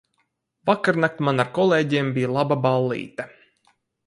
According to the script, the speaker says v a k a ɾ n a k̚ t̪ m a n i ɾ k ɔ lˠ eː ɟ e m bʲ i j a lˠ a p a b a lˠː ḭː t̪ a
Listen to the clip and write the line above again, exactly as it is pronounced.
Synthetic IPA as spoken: v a k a ɾ n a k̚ t̪ m a n a ɾ k ɔ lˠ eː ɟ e m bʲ i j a lˠ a b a b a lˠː ḭː t̪ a